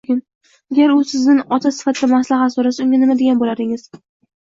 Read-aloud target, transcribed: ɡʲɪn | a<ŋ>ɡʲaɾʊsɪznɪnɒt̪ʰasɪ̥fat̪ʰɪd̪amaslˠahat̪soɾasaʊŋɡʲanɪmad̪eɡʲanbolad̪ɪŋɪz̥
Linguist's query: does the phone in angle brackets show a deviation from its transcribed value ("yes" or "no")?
yes